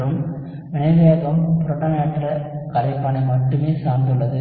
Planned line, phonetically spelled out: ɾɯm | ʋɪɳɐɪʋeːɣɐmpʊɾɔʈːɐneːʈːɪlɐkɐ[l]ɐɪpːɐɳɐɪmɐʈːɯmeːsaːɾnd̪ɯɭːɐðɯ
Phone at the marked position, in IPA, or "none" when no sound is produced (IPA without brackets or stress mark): ɾ